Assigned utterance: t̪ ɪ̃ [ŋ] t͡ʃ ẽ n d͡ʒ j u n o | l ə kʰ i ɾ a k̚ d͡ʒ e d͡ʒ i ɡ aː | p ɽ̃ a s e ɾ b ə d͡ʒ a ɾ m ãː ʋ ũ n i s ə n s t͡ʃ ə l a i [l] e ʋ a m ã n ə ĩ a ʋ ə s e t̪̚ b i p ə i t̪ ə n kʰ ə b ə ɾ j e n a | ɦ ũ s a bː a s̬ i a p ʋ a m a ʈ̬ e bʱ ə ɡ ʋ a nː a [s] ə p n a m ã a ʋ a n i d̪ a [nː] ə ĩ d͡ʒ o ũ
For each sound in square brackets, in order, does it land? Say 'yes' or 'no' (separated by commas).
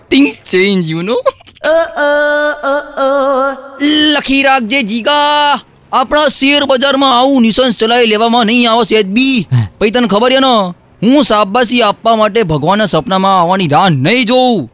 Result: yes, yes, yes, yes